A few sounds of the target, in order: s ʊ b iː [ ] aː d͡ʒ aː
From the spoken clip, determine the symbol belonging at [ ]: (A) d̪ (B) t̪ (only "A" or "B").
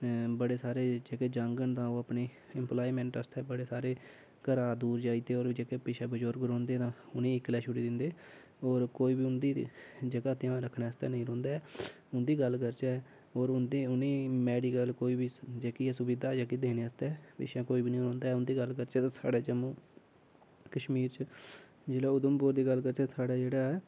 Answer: A